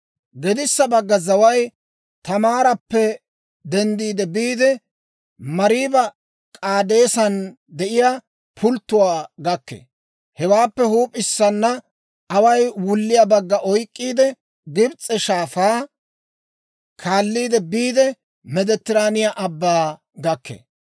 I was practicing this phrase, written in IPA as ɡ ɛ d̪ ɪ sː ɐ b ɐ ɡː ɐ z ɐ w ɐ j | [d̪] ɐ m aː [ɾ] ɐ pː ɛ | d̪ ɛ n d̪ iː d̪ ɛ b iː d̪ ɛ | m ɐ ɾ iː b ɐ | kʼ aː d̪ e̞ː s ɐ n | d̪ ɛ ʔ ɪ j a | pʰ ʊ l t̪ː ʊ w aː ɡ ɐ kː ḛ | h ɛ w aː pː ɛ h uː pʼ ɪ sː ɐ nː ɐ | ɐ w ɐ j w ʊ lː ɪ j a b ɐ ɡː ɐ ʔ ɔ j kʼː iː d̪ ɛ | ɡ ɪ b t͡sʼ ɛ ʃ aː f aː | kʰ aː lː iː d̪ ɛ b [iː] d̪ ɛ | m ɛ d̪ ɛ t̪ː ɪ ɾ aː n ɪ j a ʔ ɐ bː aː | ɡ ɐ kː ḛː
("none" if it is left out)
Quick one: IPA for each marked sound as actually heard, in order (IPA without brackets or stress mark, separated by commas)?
t̪, ɾ, iː